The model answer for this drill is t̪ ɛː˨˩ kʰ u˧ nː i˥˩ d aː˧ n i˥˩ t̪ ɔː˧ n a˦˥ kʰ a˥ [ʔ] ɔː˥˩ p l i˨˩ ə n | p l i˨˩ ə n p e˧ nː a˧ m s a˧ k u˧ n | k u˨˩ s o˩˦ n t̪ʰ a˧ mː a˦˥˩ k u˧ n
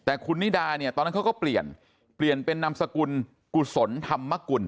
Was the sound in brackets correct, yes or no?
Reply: no